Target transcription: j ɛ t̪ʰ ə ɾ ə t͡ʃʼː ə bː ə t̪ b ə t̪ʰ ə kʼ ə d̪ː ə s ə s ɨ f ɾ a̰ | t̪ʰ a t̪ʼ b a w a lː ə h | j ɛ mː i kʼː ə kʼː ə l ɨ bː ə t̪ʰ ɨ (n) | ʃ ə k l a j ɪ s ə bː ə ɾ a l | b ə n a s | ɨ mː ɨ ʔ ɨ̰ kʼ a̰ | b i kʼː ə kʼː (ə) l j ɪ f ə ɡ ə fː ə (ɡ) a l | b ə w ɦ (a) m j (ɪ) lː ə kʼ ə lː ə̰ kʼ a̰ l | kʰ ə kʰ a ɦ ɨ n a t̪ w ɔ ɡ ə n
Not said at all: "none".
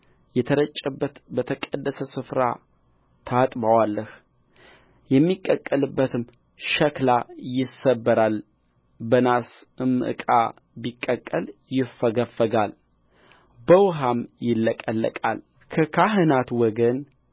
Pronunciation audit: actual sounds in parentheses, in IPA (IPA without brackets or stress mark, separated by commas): m, ə, ɡ, a, ɪ